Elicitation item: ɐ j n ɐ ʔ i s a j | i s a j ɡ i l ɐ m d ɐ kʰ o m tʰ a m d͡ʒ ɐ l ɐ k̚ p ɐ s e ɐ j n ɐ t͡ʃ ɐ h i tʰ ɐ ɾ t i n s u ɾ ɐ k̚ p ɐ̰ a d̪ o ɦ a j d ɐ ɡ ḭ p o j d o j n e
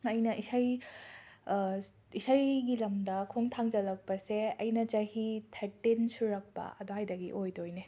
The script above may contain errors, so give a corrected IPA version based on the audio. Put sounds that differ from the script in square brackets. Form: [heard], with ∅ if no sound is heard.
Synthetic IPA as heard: ɐ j n ɐ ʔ i s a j | i s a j ɡ i l ɐ m d ɐ kʰ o [ŋ] tʰ a [ŋ] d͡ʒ ɐ l ɐ k̚ p ɐ s e ɐ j n ɐ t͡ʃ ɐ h i tʰ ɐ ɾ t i n s u ɾ ɐ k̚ p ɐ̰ [ɐ] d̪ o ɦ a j d ɐ ɡ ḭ [ʔ] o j d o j n e